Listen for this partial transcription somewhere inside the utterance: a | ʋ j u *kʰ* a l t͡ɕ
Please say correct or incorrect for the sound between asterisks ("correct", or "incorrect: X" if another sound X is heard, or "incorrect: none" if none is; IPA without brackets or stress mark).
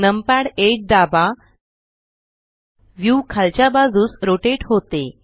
correct